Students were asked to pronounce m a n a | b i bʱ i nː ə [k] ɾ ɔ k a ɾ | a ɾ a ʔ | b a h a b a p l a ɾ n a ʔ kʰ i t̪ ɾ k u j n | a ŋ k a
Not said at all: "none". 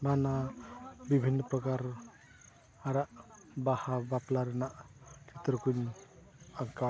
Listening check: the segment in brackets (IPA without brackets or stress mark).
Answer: p